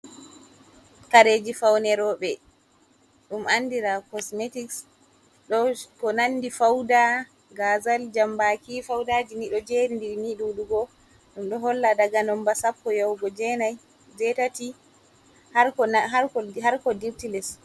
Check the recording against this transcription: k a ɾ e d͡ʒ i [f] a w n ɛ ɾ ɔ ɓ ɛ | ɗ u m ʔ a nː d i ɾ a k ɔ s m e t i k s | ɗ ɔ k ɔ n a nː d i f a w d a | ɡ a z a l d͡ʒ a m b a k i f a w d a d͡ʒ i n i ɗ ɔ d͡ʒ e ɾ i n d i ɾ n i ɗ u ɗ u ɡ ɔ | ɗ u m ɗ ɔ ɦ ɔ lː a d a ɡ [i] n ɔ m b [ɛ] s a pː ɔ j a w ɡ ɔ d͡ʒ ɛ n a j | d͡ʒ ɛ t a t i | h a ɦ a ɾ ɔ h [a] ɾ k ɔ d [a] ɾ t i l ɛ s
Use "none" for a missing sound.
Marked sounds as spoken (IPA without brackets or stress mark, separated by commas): f, a, a, a, i